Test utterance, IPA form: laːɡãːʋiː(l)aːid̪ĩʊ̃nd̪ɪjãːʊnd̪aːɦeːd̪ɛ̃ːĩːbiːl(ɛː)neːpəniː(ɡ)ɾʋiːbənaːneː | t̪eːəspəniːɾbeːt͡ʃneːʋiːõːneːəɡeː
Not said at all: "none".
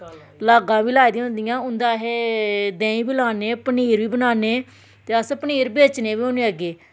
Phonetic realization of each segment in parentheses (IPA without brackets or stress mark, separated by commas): l, aː, none